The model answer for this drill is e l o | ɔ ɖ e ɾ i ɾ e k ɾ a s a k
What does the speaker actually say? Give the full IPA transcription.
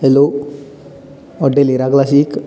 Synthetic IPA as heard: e l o | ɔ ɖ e l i ɾ a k l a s i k